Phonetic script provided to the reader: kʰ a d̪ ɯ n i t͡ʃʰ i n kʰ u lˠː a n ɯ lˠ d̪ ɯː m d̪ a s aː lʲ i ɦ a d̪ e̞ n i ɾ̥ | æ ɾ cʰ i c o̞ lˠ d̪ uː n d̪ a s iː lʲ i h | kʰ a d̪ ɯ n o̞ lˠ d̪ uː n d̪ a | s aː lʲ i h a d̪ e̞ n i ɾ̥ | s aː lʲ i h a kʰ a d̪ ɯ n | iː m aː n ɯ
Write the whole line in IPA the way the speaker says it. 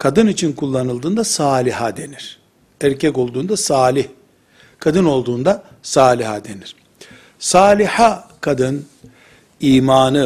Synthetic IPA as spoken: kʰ a d̪ ɯ n i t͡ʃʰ i n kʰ u lˠː a n ɯ lˠ d̪ ɯː n d̪ a s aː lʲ i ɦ a d̪ e̞ n i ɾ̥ | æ ɾ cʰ ɛ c o̞ lˠ d̪ uː n d̪ a s aː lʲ i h | kʰ a d̪ ɯ n o̞ lˠ d̪ uː n d̪ a | s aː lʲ i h a d̪ e̞ n i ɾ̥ | s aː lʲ i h a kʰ a d̪ ɯ n | iː m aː n ɯ